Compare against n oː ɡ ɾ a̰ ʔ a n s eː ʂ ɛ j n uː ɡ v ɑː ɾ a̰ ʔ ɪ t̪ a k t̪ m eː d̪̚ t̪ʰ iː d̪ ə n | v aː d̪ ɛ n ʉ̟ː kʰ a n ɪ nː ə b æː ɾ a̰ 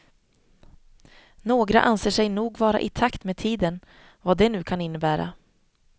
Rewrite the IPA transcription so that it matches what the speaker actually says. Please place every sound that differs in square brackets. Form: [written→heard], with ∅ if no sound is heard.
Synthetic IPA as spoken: n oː ɡ ɾ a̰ ʔ a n s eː ʂ ɛ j n uː ɡ v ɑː ɾ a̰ ʔ ɪ [t̪→t̪ʰ] a k t̪ m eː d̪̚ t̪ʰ iː d̪ ə n | v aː d̪ ɛ n ʉ̟ː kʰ a n ɪ nː ə b æː ɾ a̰

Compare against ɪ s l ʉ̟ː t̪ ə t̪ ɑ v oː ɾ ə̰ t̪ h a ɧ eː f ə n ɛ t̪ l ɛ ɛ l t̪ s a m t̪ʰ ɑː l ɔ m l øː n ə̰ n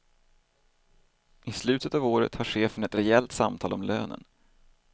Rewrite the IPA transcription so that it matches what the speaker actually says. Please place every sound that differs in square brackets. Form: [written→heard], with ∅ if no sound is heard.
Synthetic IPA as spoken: ɪ s l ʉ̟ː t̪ ə t̪ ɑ v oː ɾ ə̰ t̪ h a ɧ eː f ə n ɛ t̪ [l→ɾ] ɛ ɛ l t̪ s a m t̪ʰ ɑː l ɔ m l øː n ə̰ n

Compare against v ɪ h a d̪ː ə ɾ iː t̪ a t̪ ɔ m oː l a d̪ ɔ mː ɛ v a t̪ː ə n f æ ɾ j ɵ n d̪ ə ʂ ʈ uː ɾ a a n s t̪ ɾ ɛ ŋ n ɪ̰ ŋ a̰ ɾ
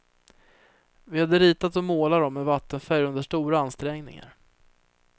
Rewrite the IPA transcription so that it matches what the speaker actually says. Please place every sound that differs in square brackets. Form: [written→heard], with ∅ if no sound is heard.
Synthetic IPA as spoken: v ɪ h a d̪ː ə ɾ iː t̪ a t̪ ɔ m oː l a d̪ ɔ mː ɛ v a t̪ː ə n f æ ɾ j ɵ n d̪ ə ʂ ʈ uː ɾ a a n s t̪ ɾ ɛ ŋ n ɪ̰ ŋ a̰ ɾ

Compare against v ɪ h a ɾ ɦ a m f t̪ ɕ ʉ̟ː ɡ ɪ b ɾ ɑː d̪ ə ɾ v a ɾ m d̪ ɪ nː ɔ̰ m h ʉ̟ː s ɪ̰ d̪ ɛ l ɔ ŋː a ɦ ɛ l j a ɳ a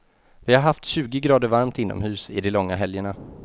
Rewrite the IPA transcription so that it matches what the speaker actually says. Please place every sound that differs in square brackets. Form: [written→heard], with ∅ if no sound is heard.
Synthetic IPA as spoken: v ɪ h a ɾ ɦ a [m→∅] f t̪ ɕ ʉ̟ː ɡ ɪ [b→ɡ] ɾ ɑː d̪ ə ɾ v a ɾ m [d̪→t̪] ɪ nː ɔ̰ m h ʉ̟ː s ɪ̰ d̪ ɛ l ɔ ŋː a ɦ ɛ l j [a→ə] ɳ a

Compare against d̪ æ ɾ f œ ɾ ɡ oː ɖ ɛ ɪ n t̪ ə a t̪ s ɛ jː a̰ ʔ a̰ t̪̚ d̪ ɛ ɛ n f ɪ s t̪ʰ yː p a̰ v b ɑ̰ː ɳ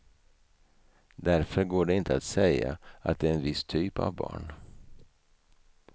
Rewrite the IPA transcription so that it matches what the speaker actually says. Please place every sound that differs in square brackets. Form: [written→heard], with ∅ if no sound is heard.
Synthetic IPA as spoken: d̪ æ ɾ f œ ɾ ɡ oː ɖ ɛ ɪ n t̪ ə a t̪ s ɛ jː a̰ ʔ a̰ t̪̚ d̪ ɛ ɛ n [f→v] ɪ s t̪ʰ yː p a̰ v b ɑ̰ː ɳ

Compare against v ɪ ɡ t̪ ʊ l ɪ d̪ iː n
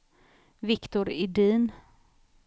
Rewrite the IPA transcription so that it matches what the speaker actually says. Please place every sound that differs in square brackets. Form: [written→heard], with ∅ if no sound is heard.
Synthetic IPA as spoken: v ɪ [ɡ→k] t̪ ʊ [l→ɾ] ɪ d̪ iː n

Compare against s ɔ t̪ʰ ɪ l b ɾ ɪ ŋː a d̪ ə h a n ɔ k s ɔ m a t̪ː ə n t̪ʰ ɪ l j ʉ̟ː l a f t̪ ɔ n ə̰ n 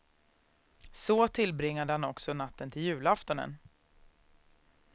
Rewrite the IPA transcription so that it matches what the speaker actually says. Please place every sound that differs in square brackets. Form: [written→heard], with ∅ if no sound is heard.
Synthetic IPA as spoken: s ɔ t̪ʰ ɪ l b ɾ ɪ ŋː a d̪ ə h a n ɔ k s ɔ [m→n] a t̪ː ə n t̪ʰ ɪ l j ʉ̟ː l a f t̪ ɔ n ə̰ n

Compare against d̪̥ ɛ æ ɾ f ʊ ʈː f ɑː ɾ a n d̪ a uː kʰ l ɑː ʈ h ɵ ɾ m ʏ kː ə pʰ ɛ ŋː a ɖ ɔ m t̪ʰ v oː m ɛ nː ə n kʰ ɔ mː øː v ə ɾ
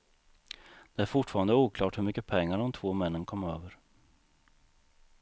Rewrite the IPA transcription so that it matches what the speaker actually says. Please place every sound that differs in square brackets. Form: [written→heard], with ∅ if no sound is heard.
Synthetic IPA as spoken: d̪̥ ɛ æ ɾ f ʊ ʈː f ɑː ɾ a n d̪ [a→ə] uː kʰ l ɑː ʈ h ɵ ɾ m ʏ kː ə pʰ ɛ ŋː a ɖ ɔ m t̪ʰ v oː m ɛ nː ə n kʰ ɔ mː øː v ə ɾ

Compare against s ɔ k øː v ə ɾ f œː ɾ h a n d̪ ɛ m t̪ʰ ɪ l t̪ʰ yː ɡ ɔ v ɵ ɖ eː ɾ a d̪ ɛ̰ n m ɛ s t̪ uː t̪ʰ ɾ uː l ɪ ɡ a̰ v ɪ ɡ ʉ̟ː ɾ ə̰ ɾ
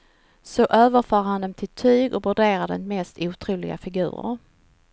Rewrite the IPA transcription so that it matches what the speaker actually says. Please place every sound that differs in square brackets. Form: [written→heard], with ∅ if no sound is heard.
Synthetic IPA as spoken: s ɔ [k→ʔ] øː v ə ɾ f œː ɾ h a n d̪ ɛ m t̪ʰ ɪ l t̪ʰ yː ɡ ɔ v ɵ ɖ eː ɾ a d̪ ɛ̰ n m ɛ s t̪ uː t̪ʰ ɾ uː l ɪ ɡ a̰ [v→f] ɪ ɡ ʉ̟ː ɾ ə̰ ɾ

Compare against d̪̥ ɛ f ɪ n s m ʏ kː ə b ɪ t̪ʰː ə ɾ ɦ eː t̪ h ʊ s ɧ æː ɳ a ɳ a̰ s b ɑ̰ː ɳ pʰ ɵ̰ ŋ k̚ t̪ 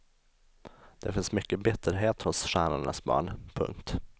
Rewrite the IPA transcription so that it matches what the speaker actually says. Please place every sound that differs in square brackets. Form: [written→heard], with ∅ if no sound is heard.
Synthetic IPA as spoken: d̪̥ ɛ f ɪ n s m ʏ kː ə b ɪ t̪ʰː ə ɾ ɦ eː t̪ h ʊ s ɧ æː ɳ a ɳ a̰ s b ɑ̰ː ɳ pʰ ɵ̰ ŋ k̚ t̪

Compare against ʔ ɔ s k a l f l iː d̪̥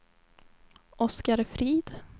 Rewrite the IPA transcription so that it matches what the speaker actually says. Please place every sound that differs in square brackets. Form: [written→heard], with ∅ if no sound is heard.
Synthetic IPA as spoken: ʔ ɔ s k a [l→ɾ] f [l→ɾ] iː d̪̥

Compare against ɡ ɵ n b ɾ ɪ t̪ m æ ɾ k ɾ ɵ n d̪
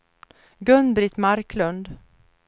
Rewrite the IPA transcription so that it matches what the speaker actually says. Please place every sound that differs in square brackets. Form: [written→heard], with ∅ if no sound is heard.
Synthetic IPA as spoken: ɡ ɵ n b ɾ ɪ t̪ m [æ→a] ɾ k [ɾ→l] ɵ n d̪

